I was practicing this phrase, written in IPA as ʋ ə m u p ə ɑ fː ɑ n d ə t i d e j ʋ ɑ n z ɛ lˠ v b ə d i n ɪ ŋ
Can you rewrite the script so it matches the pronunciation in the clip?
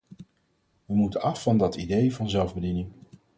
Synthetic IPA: ʋ ə m u t ə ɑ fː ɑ n d ɑ t i d e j v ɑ n z ɛ lˠ v b ə d i n ɪ ŋ